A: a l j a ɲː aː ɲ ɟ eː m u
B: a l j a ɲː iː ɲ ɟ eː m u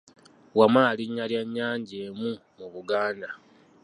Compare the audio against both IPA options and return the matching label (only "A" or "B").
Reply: A